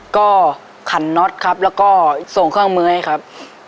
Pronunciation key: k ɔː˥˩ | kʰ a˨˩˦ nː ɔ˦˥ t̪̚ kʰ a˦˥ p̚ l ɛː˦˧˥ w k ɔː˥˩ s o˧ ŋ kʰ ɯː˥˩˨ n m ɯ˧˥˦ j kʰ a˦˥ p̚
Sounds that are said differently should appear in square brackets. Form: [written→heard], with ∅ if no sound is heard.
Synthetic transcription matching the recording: k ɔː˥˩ | kʰ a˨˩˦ nː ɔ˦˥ t̪̚ kʰ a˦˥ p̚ l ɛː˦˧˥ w k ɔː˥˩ s [o˧→o˨˩] ŋ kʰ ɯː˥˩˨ [n→ŋ] m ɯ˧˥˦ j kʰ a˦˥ p̚